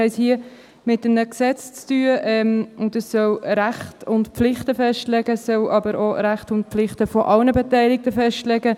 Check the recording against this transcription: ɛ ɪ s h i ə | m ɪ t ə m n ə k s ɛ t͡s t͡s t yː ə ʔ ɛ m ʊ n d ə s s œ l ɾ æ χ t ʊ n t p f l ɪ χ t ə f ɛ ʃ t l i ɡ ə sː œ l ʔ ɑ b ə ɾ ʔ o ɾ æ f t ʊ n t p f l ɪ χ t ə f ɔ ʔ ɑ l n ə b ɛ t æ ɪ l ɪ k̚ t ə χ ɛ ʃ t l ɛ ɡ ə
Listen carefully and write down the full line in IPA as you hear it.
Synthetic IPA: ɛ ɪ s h i ə | m ɪ t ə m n ə k s ɛ t͡s t͡s t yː ə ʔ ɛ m ʊ n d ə s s œ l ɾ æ χ t ʊ n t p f l ɪ χ t ə f ɛ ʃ t l ɛ ɡ ə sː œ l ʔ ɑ b ə ɾ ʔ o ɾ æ χ t ʊ n t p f l ɪ χ t ə f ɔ ʔ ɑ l n ə b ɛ t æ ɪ l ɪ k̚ t ə f ɛ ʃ t l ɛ ɡ ə